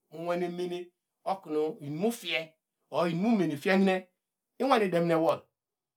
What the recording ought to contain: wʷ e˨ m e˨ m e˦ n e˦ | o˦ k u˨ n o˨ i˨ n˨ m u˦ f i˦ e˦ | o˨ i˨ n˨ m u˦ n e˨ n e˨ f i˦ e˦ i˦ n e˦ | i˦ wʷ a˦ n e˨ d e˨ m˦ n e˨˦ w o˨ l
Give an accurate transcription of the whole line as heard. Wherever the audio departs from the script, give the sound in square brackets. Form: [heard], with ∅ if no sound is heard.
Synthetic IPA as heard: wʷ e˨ [n] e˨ m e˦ n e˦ | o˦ k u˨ n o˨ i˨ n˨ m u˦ f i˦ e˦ | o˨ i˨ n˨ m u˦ [m] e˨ n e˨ f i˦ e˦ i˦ n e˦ | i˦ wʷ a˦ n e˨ d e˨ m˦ n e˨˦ w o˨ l